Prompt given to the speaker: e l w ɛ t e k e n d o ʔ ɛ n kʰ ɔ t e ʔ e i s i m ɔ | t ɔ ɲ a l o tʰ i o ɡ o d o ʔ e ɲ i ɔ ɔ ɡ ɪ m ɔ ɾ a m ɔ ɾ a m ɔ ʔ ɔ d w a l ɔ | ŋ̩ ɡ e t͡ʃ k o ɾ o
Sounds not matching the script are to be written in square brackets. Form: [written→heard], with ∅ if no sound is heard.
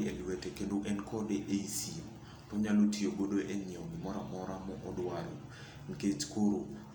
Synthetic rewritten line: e l w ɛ t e k e n d o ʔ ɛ n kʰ ɔ [t→d] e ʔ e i s i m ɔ | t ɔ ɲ a l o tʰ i o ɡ o d o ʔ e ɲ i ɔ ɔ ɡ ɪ m ɔ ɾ a m ɔ ɾ a m ɔ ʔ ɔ d w a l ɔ | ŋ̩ [ɡ→k] e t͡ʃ k o ɾ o